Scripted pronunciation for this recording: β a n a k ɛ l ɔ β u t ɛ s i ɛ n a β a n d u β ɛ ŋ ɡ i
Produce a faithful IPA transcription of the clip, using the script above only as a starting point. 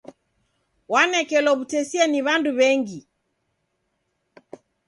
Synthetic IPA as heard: w a n ɛ k ɛ l ɔ β u t ɛ s i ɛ n i β a n d u β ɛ ŋ ɡ i